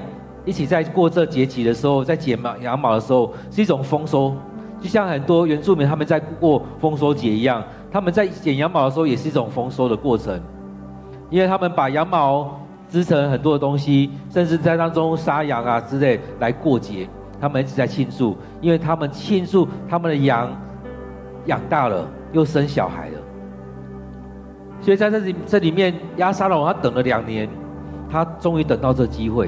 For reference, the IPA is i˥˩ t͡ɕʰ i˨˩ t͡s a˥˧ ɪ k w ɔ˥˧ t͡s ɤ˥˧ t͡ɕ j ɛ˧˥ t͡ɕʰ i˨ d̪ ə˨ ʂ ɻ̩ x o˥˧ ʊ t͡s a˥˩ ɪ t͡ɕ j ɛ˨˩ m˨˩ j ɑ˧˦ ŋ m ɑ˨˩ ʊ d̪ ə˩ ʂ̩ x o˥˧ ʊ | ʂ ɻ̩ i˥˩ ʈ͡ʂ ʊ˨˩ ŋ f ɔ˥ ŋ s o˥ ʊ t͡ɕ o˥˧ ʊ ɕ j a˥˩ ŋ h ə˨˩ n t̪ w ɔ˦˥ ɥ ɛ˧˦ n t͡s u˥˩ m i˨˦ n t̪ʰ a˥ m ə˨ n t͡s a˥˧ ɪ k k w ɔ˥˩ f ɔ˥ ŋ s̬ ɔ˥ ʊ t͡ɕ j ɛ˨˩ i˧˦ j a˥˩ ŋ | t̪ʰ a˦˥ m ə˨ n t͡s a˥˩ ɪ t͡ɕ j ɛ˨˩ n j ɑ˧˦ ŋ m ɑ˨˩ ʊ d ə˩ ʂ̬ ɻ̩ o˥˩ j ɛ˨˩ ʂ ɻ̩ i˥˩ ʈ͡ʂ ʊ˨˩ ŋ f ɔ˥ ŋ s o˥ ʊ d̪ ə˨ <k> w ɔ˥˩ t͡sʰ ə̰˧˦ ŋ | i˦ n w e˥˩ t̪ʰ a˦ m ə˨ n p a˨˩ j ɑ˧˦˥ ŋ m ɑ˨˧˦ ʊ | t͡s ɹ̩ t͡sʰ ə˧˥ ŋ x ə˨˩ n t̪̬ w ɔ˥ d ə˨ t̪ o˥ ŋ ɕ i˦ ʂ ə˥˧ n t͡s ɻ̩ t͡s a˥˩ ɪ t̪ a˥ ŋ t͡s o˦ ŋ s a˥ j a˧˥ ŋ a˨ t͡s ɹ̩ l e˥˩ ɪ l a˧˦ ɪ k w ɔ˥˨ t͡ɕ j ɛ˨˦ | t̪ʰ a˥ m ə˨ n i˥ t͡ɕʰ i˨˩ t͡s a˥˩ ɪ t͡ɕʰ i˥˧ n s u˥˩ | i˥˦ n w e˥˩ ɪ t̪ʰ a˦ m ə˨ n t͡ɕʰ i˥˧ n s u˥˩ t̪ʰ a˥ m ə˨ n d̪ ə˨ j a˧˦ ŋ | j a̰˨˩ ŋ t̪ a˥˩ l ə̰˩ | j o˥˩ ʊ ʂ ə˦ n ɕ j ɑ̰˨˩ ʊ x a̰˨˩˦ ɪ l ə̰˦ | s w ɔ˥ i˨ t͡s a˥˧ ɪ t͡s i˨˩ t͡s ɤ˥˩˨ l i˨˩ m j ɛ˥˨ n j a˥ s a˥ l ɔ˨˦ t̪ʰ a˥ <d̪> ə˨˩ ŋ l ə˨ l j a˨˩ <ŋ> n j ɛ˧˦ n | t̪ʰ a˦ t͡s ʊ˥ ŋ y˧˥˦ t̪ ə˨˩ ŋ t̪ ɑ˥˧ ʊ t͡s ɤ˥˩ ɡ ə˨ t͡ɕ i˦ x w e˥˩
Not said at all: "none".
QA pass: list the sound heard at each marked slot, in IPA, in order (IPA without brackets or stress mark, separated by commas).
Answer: k, t̪, ŋ